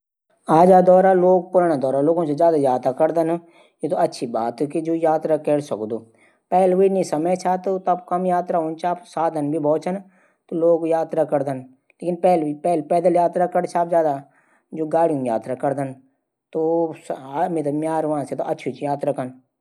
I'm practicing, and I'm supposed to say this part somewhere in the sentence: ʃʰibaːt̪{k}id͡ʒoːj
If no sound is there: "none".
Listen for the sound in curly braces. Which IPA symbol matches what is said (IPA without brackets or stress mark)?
k